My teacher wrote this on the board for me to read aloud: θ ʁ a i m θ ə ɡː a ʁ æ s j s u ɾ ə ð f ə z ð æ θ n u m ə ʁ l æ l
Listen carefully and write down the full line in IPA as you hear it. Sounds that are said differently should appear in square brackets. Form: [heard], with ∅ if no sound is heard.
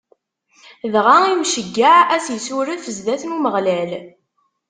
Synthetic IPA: [ð] ʁ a i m [ʃ] ə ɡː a [ʕ] æ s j s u ɾ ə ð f ə z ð æ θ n u m ə ʁ l æ l